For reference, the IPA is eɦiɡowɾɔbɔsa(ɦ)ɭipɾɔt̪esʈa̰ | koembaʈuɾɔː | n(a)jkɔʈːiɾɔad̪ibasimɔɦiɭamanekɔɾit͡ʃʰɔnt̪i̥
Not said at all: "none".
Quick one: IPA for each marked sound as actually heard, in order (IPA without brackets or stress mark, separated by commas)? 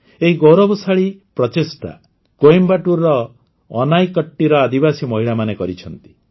none, a